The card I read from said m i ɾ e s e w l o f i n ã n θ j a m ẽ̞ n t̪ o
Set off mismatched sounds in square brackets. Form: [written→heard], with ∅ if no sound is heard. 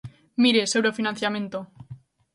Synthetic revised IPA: m i ɾ e s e w [l→ɾ] o f i n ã n θ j a m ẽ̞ n t̪ o